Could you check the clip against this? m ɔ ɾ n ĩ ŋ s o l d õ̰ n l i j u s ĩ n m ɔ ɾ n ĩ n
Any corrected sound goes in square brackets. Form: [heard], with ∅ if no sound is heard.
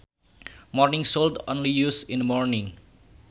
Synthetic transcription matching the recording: m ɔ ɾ n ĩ ŋ s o l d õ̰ n l i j u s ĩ n m ɔ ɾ n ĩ [ŋ]